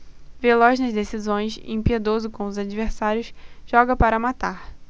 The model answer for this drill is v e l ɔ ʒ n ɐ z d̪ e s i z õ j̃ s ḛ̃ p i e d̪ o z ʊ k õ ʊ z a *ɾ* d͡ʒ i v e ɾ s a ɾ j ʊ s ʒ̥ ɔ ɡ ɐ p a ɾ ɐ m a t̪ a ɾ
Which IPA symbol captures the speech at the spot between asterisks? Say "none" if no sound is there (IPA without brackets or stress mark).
none